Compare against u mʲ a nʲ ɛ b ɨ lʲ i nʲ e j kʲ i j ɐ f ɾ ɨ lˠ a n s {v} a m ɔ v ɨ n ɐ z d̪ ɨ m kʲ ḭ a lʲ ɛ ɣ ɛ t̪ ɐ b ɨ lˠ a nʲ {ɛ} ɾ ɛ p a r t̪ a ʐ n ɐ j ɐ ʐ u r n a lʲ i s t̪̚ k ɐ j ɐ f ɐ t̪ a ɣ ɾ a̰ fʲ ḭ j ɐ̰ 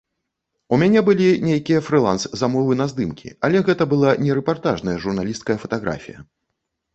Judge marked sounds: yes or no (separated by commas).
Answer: no, yes